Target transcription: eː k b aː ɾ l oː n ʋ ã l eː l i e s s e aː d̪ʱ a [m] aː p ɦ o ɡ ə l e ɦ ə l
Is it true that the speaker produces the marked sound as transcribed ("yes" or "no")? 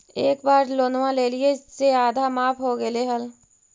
yes